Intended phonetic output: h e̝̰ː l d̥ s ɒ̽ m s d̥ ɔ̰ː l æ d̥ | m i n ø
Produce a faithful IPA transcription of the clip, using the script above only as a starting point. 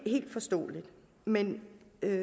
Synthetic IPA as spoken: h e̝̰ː l d̥ f ɒ̽ s d̥ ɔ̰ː l i d̥ | m e n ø